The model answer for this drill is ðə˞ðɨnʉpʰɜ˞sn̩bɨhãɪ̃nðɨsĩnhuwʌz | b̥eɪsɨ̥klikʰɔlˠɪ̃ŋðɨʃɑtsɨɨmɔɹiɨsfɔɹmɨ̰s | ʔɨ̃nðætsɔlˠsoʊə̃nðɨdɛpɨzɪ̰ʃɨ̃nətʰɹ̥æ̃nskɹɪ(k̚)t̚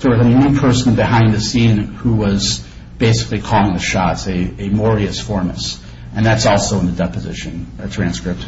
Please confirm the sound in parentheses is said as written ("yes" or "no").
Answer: no